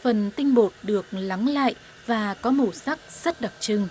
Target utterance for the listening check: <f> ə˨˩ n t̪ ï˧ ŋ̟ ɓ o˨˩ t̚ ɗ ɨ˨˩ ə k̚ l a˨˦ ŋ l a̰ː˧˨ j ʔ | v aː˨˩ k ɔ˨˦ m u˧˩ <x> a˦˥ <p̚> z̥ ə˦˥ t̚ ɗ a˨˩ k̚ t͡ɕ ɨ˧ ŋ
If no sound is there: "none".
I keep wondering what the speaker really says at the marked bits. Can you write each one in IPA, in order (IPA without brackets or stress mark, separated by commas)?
f, s, k̚